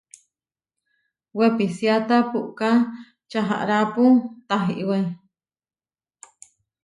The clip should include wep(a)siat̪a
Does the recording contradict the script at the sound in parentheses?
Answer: yes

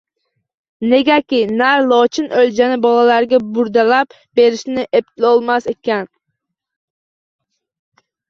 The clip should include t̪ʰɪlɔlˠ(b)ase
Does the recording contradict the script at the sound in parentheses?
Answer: yes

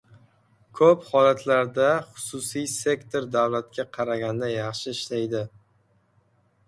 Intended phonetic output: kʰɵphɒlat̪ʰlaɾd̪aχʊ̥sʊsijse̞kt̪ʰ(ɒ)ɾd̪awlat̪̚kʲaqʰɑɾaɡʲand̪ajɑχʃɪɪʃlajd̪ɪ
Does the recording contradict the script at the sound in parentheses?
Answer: yes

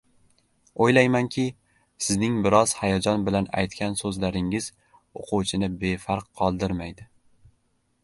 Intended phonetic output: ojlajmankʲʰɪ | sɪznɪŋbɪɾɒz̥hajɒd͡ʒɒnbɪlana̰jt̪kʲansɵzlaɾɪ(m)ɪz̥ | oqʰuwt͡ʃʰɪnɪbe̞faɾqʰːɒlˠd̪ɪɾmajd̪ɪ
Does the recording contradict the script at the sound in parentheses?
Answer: yes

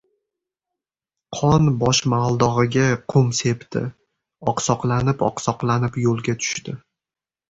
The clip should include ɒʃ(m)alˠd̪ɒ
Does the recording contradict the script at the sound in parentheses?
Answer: no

